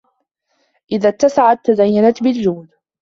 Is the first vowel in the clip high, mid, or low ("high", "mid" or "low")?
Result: high